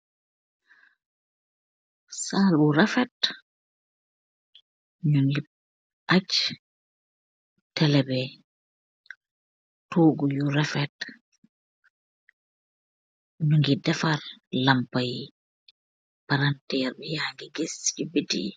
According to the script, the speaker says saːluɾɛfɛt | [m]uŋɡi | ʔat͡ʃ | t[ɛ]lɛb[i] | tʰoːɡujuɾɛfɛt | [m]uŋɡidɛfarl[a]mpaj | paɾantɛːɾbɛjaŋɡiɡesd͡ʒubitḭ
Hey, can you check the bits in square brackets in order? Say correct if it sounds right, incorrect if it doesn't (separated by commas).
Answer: incorrect, correct, incorrect, incorrect, correct